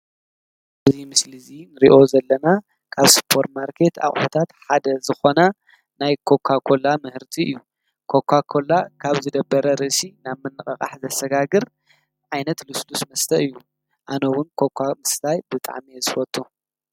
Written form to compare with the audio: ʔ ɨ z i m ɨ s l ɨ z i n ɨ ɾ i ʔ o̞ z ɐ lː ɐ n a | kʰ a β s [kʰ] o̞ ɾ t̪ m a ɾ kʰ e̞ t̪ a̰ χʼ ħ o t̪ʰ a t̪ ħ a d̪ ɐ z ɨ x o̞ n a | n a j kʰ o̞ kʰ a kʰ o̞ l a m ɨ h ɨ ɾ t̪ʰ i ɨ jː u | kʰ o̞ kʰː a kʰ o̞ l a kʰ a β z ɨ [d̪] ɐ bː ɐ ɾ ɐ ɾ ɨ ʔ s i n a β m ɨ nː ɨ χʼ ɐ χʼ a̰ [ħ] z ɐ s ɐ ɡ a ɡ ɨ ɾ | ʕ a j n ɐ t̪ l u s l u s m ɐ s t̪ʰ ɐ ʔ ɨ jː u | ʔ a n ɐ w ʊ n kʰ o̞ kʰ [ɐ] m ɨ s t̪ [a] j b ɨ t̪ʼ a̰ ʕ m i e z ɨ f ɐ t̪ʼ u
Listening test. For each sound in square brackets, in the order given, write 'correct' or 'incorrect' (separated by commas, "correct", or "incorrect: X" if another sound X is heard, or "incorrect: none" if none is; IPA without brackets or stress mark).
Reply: incorrect: pʰ, correct, correct, incorrect: a, correct